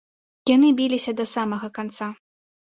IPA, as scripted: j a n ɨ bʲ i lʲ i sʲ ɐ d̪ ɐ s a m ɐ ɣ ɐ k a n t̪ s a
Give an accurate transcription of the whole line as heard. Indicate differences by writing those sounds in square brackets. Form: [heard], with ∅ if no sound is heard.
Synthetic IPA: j a n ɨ bʲ i lʲ i sʲ ɐ d̪ ɐ s a m ɐ ɣ ɐ k a n t̪ s a